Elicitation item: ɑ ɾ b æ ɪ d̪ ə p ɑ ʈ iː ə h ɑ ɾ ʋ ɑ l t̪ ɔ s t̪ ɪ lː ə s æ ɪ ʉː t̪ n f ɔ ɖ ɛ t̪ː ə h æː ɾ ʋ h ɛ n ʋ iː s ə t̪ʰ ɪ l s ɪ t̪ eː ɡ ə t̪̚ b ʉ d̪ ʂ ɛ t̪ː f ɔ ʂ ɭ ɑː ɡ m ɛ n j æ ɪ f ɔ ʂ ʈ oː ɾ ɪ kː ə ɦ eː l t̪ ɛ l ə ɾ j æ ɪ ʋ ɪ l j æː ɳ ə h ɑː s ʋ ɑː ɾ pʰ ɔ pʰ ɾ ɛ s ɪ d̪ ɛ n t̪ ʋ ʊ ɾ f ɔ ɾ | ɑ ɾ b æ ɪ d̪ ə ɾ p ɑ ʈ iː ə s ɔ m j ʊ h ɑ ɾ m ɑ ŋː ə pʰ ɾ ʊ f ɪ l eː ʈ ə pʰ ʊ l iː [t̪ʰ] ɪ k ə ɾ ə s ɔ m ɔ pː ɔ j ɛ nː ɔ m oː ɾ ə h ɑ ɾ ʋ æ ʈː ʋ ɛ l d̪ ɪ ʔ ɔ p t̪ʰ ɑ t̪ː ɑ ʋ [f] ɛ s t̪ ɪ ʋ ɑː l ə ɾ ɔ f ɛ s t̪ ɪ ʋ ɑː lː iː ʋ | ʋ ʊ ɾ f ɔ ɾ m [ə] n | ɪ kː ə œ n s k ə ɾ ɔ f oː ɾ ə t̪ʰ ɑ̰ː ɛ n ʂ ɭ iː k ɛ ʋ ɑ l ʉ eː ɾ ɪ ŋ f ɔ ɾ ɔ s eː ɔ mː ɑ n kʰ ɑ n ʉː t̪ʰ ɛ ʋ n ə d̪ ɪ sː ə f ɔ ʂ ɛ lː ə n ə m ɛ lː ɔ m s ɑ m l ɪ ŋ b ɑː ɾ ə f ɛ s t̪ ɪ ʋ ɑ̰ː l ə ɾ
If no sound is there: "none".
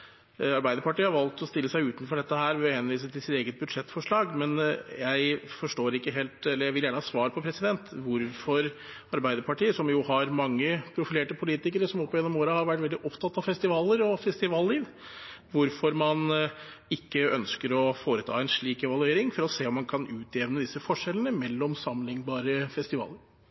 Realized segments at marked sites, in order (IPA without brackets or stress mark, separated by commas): t̪, f, ɑ